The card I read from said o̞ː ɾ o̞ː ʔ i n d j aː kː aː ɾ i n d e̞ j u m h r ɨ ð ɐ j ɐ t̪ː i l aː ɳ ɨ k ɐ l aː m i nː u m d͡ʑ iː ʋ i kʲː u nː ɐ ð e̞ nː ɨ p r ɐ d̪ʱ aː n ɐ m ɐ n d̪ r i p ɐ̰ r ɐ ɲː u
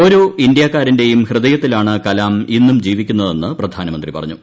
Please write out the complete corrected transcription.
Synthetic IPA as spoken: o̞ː ɾ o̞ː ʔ i n d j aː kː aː ɾ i n d e̞ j u m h r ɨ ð ɐ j ɐ t̪ː i l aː ɳ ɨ k ɐ l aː m i nː u m d͡ʑ iː ʋ i kʲː u nː ɐ ð e̞ nː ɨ p r ɐ d̪ʱ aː n ɐ m ɐ n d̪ r i p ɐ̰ r ɐ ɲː u